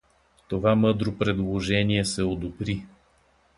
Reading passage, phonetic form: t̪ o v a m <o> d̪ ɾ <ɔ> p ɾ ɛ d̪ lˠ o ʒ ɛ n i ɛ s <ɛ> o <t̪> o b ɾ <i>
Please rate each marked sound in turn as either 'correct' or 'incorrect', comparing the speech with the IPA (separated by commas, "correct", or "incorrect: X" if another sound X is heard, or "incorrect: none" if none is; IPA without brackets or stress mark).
incorrect: ɤ, incorrect: o, correct, incorrect: d̪, correct